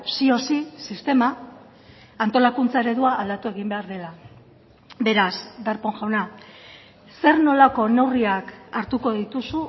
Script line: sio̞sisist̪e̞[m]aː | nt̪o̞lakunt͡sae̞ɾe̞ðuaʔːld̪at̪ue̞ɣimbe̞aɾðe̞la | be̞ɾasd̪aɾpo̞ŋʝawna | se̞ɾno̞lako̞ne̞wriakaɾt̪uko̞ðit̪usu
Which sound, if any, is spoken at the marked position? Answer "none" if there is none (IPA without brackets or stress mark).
m